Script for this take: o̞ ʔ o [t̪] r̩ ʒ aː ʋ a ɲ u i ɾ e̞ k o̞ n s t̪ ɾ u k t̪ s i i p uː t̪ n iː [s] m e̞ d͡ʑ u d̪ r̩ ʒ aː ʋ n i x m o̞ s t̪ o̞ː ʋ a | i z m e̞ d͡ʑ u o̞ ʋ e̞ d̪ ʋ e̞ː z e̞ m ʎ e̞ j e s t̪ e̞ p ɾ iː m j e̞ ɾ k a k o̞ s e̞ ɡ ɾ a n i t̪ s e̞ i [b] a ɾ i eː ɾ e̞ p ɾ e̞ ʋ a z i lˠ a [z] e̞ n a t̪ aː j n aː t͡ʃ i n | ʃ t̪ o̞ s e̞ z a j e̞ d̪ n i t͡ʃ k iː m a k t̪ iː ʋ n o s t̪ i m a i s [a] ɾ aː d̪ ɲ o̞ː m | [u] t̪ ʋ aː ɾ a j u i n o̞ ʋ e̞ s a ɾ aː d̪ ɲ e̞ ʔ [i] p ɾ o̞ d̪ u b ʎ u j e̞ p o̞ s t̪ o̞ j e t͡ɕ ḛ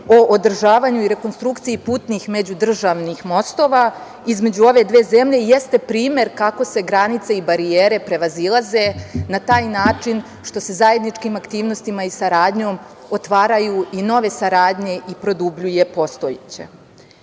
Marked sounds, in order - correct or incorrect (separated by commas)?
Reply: incorrect, incorrect, correct, correct, correct, incorrect, correct